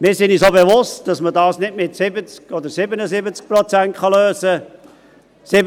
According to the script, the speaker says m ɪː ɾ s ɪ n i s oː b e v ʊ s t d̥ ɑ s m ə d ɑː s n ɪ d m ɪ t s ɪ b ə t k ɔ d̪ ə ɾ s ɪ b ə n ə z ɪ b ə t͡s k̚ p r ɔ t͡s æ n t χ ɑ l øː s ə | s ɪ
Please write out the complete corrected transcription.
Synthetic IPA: m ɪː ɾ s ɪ n i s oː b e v ʊ s t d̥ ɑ s m ə d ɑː s n ɪ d m ɪ t s ɪ b ə t͡s k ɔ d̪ ə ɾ s ɪ b ə n ə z ɪ b ə t͡s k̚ p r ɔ t͡s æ n t χ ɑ l øː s ə | s ɪ